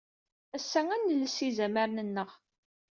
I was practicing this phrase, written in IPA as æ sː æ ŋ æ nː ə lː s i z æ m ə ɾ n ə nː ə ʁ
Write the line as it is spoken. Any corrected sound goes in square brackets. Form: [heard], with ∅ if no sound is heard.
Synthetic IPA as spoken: æ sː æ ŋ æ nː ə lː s i z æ m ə ɾ n ə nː ə ʁ